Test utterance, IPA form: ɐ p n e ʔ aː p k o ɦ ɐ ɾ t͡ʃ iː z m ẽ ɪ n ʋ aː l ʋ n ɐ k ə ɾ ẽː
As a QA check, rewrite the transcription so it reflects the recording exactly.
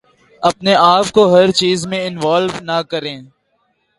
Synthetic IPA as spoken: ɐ p n e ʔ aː p k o ɦ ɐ ɾ t͡ʃ iː z m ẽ ɪ n ʋ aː l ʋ n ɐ k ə ɾ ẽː